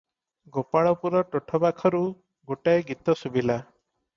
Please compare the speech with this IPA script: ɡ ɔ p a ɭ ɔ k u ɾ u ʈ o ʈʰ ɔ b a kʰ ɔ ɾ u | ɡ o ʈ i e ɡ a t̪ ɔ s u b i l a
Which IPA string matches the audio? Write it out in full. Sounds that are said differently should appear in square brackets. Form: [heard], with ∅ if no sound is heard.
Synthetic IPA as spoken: ɡ [o] p a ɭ ɔ [p] u ɾ [ɔ] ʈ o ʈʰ ɔ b a kʰ ɔ ɾ u | ɡ o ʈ [a] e ɡ [i] t̪ ɔ s u b i l a